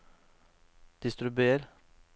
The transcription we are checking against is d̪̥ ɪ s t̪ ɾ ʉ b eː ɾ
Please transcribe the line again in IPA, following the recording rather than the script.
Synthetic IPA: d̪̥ ɪ s t̪ ɾ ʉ b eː ɾ